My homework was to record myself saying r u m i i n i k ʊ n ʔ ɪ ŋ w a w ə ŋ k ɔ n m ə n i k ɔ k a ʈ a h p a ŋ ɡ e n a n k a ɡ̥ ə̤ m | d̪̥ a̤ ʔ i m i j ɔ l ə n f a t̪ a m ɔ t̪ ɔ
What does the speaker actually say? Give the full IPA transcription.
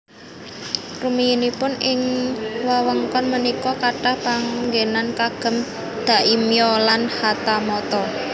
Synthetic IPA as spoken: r u m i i n i p ʊ n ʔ ɪ ŋ w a w ə ŋ k ɔ n m ə n i k ɔ k a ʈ a h p a ŋ ɡ e n a n k a ɡ̥ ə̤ m | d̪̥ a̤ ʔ i m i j ɔ l a n h a t̪ a m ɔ t̪ ɔ